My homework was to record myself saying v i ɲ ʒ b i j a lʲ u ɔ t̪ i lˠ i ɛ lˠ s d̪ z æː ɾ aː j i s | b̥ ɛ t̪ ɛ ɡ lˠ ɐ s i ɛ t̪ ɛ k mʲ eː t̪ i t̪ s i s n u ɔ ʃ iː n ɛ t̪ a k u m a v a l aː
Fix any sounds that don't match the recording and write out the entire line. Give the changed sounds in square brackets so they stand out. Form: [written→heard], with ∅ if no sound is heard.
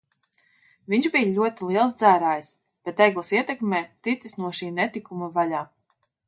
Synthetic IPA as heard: v i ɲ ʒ b i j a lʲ u ɔ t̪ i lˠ i ɛ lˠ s d̪ z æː ɾ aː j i s | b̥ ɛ t̪ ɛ ɡ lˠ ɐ s i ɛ t̪ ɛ k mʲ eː t̪ i t̪ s i s n u ɔ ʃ iː n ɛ t̪ [a→i] k u m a v a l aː